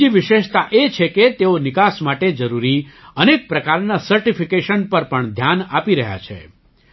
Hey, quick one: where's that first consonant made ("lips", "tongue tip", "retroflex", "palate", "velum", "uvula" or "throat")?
lips